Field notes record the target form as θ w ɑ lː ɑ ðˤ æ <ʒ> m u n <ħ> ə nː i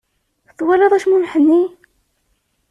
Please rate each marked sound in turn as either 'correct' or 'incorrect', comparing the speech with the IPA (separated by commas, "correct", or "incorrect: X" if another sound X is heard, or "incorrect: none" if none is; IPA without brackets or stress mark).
incorrect: ʃ, correct